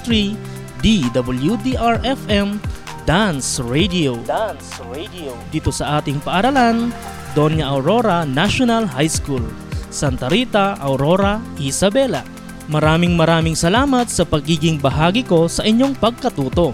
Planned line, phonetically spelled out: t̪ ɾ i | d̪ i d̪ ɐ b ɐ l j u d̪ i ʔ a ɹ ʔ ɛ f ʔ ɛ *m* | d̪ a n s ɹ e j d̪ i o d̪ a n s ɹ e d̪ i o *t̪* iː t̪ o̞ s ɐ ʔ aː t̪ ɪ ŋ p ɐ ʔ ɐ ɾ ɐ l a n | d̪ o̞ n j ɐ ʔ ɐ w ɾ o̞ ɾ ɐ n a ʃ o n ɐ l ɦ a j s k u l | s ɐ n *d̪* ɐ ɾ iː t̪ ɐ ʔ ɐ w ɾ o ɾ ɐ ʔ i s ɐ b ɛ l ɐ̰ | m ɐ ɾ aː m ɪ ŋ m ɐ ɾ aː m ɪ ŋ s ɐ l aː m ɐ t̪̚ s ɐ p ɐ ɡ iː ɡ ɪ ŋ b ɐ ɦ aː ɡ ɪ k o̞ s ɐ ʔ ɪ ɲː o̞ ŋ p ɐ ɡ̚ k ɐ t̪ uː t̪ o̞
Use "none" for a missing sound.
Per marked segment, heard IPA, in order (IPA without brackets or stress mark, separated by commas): m, d̪, t̪